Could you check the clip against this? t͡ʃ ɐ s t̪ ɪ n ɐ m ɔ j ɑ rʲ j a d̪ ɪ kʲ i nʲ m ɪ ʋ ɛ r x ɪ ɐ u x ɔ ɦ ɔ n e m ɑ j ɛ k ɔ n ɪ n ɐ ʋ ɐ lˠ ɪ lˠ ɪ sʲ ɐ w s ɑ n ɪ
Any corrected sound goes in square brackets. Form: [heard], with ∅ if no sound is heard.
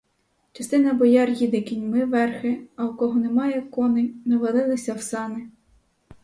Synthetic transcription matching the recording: t͡ʃ ɐ s t̪ ɪ n ɐ [b] ɔ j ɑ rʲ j [i] d̪ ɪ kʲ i nʲ m ɪ ʋ ɛ r x ɪ ɐ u [k] ɔ ɦ ɔ n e m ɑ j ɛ k ɔ n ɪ n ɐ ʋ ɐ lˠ ɪ lˠ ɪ sʲ ɐ w s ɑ n ɪ